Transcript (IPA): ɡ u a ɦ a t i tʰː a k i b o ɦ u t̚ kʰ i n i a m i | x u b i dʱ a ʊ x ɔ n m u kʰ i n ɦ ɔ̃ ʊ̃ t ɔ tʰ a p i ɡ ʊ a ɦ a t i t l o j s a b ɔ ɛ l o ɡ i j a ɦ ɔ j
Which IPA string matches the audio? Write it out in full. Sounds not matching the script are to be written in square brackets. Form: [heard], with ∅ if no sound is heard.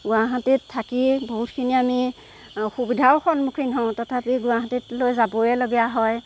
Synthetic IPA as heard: ɡ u a ɦ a t i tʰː a k i b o ɦ u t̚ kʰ i n i a m i | x u b i dʱ a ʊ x ɔ n m u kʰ i n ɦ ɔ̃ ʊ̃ t ɔ tʰ a p i ɡ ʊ a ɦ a t i t l o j [z] a b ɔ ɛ l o ɡ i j a ɦ ɔ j